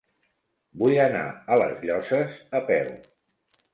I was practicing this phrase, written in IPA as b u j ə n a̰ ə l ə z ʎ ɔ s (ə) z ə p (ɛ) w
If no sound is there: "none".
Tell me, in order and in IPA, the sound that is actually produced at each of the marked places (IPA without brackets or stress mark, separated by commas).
ə, ɛ